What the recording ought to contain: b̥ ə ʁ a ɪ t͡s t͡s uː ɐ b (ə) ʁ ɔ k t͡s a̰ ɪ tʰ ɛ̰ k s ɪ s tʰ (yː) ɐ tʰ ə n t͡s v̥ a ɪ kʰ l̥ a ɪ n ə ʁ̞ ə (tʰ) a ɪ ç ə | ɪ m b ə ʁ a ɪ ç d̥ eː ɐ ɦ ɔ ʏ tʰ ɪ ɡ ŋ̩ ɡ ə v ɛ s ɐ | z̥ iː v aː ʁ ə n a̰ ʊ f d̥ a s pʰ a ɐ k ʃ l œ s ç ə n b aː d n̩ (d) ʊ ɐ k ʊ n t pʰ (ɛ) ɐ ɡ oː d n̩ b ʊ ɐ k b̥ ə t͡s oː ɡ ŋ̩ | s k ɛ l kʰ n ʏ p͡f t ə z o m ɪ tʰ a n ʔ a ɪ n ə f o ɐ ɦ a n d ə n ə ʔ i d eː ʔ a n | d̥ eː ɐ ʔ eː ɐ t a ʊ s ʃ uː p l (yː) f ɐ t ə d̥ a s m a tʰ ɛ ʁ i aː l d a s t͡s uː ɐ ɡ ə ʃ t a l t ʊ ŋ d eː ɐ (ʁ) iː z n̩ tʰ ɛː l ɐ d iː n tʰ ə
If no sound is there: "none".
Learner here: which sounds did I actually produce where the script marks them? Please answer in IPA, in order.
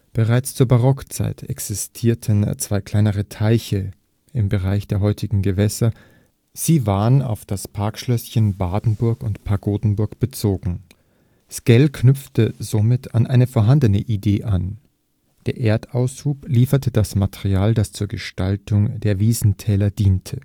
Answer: a, iː, tʰ, b, a, iː, v

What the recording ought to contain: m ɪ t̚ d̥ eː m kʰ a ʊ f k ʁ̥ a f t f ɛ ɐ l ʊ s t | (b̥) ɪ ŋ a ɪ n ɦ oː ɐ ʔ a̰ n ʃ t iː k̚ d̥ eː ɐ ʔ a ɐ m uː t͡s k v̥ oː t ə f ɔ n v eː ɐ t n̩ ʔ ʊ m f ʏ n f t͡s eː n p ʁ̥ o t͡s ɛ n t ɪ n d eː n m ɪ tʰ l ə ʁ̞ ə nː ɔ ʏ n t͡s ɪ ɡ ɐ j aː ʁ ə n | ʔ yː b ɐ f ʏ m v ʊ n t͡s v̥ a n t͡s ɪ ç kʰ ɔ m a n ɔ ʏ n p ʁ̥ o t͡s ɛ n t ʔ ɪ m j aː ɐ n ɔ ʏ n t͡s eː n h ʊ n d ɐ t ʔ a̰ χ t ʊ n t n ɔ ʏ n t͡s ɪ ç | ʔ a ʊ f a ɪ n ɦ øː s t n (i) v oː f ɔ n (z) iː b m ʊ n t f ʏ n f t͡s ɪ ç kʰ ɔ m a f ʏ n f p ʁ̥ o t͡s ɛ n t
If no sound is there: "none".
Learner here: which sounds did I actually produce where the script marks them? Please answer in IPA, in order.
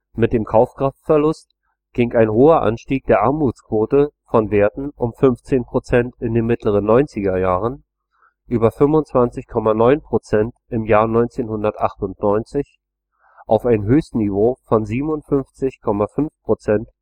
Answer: ɡ̥, i, z

